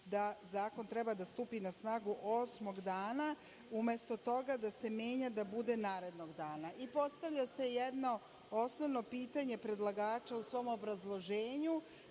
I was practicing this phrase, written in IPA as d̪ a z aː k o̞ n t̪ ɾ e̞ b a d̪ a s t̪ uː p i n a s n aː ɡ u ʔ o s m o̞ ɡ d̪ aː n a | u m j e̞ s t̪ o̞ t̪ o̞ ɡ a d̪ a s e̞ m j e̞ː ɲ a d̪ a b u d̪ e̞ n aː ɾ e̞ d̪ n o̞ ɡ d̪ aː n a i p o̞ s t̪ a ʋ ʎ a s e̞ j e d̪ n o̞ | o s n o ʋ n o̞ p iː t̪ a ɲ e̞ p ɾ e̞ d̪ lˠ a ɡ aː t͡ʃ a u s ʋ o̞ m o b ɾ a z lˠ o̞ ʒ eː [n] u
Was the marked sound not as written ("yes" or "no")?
yes